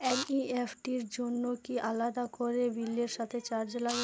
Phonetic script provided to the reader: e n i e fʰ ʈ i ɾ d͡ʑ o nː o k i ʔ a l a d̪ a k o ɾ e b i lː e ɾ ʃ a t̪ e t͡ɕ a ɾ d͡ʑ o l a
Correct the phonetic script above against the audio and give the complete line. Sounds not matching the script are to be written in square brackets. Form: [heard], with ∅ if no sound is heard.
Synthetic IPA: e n i e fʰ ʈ i ɾ d͡ʑ o nː o k i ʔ a l a d̪ a k o ɾ e b i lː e ɾ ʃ a [t̪ʰ] e t͡ɕ a ɾ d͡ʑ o l a